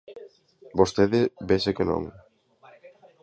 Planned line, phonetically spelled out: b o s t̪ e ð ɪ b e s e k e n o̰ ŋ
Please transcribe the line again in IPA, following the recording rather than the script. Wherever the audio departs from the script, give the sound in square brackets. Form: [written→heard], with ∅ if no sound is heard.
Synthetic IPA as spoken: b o s t̪ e ð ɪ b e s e k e n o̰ ŋ